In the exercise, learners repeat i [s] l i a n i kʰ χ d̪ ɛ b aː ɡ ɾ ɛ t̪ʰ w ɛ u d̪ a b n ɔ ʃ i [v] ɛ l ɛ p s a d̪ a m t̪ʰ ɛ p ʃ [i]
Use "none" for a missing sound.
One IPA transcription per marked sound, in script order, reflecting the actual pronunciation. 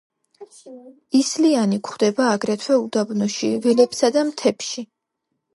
s, v, i

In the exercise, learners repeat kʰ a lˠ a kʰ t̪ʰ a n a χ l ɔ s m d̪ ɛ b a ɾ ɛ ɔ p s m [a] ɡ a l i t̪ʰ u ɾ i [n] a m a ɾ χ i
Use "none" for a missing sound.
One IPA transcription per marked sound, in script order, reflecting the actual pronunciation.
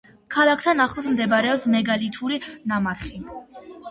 ɛ, n

